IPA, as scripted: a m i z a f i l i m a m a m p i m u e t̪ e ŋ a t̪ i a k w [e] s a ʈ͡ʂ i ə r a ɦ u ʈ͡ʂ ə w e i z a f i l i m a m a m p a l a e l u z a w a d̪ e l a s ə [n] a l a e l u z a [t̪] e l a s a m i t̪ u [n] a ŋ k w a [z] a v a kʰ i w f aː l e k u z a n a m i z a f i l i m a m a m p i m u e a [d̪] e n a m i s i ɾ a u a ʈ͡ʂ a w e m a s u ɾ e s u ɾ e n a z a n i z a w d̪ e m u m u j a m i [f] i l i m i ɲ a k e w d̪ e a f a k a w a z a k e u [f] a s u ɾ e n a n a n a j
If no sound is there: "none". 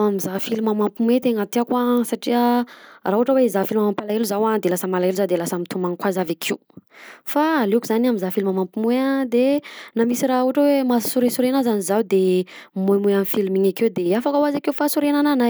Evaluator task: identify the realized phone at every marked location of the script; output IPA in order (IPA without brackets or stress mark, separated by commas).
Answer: a, m, d̪, m, z, d̪, f, f